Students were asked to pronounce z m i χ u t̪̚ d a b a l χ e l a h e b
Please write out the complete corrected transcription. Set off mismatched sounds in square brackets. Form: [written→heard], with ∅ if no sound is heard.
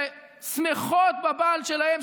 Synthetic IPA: [z→s] m [i→e] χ [u→o] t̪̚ [d→b] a b a l [χ→ʃ] e l a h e [b→m]

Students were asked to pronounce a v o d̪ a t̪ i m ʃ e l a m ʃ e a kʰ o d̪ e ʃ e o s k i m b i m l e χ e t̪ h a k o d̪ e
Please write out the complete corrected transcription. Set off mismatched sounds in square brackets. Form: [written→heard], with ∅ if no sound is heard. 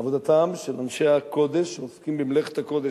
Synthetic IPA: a v o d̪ a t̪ [i→a] m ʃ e l a [m→n] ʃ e a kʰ o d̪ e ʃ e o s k i m b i m l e χ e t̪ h a k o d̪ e

